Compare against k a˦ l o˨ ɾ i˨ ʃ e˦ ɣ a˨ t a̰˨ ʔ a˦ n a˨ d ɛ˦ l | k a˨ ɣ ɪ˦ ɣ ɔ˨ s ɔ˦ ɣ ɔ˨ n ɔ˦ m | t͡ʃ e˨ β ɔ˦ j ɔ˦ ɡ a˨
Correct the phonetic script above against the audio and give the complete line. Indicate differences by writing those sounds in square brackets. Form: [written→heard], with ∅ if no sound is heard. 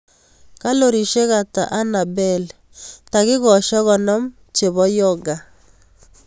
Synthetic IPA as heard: k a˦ l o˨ ɾ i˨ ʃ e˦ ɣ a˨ t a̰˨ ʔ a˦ n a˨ [d→b] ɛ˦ l | [k→t] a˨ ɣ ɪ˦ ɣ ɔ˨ [s→ʃ] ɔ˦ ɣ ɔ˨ n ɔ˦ m | t͡ʃ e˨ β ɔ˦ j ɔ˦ ɡ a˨